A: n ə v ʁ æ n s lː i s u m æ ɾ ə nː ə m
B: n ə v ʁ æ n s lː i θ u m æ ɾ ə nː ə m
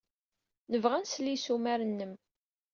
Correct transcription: A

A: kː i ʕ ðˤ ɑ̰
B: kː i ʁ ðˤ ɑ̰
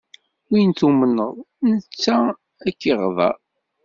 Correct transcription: B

